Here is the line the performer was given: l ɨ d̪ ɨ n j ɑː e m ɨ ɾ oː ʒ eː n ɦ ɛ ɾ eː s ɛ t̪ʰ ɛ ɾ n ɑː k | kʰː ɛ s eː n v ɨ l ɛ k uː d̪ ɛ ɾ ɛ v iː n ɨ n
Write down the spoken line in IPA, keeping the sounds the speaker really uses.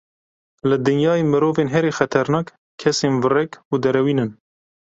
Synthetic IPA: l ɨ d̪ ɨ n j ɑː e m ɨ ɾ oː v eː n ɦ ɛ ɾ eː x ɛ t̪ʰ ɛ ɾ n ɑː k | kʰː ɛ s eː n v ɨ r ɛ k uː d̪ ɛ ɾ ɛ w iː n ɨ n